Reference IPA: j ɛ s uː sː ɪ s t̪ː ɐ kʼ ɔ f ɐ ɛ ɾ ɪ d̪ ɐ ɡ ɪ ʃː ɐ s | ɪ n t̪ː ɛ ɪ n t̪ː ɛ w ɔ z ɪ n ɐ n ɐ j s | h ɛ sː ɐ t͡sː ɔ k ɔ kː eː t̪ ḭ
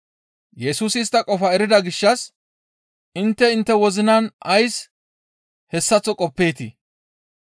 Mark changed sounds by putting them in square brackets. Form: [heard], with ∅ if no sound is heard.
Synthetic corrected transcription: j ɛ s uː [s] ɪ s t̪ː ɐ kʼ ɔ f ɐ ɛ ɾ ɪ d̪ ɐ ɡ ɪ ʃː ɐ s | ɪ n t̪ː ɛ ɪ n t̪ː ɛ w ɔ z ɪ n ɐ n ɐ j s | h ɛ sː ɐ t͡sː ɔ [kʼ] ɔ [pː] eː t̪ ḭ